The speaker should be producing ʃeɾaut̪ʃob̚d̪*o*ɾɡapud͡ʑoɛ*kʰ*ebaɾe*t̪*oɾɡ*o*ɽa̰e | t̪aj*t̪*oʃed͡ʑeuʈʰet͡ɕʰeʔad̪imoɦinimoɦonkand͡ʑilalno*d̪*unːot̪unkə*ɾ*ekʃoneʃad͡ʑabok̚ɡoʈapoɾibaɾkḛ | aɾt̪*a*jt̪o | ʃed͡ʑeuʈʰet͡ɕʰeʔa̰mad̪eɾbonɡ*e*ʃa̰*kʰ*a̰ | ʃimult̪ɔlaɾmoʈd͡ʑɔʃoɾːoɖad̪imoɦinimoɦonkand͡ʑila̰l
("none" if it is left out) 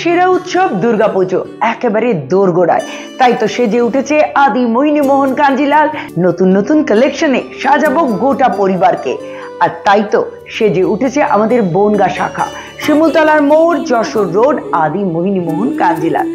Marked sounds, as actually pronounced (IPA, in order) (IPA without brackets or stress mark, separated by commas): u, k, d̪, o, t̪, t̪, l, a, a, kʰ